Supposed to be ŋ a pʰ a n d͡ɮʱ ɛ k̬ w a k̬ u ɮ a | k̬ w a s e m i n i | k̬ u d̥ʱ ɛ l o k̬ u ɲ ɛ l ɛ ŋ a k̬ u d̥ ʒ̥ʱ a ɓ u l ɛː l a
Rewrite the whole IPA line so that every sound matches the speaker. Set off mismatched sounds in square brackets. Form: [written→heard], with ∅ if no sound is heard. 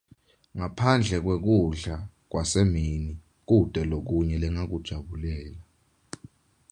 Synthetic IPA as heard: ŋ a pʰ a n d͡ɮʱ ɛ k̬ w [a→e] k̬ u ɮ a | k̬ w a s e m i n i | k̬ u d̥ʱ ɛ l o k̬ u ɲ ɛ l ɛ ŋ a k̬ u d̥ ʒ̥ʱ a ɓ u l ɛː l a